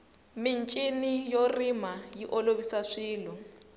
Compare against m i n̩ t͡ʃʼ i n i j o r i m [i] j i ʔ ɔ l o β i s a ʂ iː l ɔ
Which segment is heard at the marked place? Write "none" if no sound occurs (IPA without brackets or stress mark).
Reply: a